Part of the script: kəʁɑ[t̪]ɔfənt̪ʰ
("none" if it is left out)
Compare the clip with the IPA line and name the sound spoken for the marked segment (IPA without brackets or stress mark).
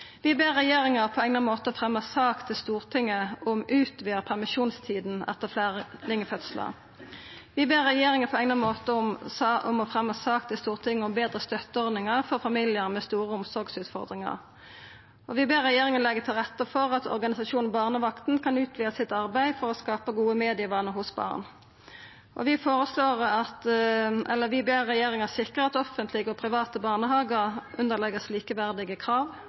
t̪